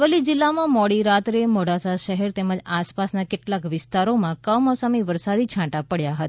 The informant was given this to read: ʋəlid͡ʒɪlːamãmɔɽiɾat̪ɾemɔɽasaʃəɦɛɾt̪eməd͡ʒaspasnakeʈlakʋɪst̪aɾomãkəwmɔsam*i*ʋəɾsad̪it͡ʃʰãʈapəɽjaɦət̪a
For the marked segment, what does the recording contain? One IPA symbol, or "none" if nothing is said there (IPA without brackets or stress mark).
i